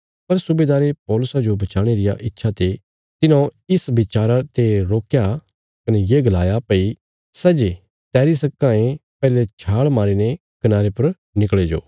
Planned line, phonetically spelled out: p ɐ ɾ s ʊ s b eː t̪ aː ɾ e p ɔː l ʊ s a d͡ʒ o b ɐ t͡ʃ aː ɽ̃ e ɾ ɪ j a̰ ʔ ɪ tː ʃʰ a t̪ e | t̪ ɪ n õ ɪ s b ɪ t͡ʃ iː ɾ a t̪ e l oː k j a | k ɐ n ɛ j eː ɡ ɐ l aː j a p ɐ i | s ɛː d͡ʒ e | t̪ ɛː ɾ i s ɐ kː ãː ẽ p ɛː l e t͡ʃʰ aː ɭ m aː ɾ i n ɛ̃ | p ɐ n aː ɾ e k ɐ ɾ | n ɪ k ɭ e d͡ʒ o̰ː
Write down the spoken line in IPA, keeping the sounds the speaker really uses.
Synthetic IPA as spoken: p ɐ ɾ s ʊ b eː d̪ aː ɾ e p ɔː l ʊ s a d͡ʒ o b ɐ t͡ʃ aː ɽ̃ e ɾ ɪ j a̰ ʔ ɪ tː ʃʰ a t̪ e | t̪ ɪ n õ ɪ s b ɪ t͡ʃ aː ɾ a t̪ e ɾ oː k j a | k ɐ n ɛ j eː ɡ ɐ l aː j a p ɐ i | s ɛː d͡ʒ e | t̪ ɛː ɾ i s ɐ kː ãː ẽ p ɛː l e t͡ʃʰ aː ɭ m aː ɾ i n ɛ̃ | k ɐ n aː ɾ e p ɐ ɾ | n ɪ k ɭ e d͡ʒ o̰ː